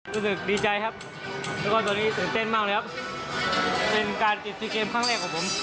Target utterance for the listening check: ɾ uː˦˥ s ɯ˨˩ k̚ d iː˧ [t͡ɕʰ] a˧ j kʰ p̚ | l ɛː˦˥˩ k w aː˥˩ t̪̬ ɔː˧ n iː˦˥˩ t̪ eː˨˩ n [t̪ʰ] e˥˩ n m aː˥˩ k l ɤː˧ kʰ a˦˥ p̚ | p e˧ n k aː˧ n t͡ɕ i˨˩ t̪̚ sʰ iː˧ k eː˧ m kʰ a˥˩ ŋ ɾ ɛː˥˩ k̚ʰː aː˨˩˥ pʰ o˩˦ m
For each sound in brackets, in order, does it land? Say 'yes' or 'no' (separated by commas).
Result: no, no